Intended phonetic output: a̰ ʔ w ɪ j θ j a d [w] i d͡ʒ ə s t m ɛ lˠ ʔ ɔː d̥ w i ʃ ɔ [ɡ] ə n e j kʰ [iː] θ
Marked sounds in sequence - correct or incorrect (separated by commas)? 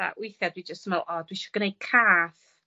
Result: correct, correct, incorrect